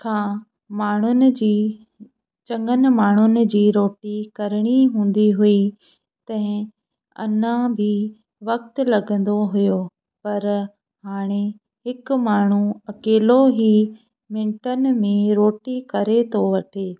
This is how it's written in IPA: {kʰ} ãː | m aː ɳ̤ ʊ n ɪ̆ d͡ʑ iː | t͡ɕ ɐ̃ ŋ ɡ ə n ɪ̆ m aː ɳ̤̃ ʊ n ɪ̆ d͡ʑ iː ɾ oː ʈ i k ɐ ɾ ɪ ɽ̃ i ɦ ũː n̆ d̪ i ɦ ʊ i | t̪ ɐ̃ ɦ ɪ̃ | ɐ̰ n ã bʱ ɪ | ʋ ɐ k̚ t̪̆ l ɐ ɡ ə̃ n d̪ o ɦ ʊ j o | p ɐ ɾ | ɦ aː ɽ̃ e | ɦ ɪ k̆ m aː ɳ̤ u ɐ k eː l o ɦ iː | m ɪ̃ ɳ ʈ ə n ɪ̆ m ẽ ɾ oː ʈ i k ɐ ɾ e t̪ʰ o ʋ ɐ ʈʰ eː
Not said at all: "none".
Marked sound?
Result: kʰ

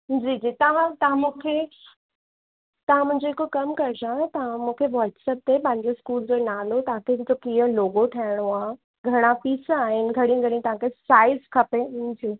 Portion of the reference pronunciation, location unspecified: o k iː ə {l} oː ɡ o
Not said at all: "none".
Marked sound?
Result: l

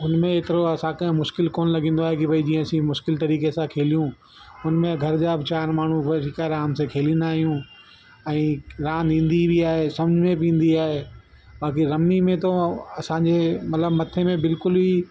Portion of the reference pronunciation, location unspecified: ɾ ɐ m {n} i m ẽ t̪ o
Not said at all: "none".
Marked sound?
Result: n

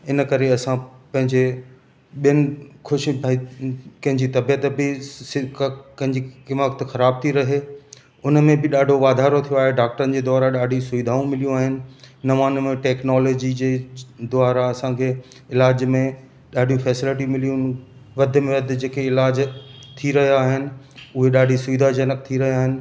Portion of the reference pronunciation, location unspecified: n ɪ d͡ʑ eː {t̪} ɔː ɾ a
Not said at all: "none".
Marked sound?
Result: d̪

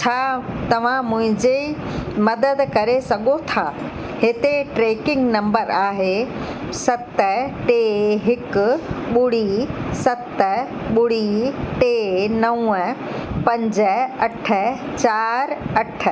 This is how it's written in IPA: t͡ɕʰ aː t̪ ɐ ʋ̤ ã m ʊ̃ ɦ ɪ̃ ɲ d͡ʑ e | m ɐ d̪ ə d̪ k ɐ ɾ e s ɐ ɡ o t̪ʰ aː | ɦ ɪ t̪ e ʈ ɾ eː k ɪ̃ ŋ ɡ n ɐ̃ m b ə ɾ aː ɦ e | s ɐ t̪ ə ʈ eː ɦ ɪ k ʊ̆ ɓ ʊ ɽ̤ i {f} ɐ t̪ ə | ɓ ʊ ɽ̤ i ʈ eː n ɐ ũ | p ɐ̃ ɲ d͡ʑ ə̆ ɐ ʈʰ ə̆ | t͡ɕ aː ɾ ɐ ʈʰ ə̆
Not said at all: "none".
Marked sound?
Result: s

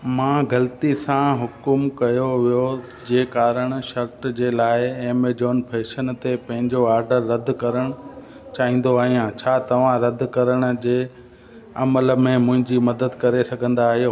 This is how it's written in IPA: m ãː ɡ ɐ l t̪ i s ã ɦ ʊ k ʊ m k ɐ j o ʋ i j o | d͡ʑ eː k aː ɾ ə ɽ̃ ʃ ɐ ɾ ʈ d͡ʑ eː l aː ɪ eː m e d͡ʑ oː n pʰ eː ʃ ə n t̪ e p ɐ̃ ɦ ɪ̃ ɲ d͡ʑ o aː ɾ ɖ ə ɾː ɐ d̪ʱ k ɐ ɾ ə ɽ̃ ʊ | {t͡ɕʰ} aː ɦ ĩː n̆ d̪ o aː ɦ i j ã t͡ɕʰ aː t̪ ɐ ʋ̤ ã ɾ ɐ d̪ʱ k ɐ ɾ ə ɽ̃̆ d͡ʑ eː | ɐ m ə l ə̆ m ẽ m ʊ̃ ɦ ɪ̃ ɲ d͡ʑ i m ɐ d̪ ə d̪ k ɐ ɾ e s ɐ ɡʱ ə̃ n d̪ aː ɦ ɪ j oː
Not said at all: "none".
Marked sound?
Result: t͡ɕ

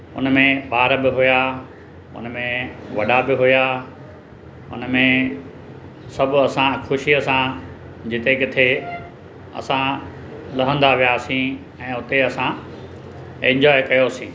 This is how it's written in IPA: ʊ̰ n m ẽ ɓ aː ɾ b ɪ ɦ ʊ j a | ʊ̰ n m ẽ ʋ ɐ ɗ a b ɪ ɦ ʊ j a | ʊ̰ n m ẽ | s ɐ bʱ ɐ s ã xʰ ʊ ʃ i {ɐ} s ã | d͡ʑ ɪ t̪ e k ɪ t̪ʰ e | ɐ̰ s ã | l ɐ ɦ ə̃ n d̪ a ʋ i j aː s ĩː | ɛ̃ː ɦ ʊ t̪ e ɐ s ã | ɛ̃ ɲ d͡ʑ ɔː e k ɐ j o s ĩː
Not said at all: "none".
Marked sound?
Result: ə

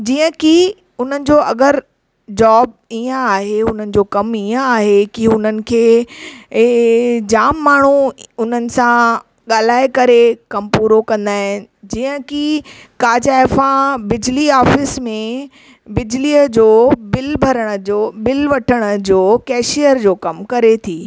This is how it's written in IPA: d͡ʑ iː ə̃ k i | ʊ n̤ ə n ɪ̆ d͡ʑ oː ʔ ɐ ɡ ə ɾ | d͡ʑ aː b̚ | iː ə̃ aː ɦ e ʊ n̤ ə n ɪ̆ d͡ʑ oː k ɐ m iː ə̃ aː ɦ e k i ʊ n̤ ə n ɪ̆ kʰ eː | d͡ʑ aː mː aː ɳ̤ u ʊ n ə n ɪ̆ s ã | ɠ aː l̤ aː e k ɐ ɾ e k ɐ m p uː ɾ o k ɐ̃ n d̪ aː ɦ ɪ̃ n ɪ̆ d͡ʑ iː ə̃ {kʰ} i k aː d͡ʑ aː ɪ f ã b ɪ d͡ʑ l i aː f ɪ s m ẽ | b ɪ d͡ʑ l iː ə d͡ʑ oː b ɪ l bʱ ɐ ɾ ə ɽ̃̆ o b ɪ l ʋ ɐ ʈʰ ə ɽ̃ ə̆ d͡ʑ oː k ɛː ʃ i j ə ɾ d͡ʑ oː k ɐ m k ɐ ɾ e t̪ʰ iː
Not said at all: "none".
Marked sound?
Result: k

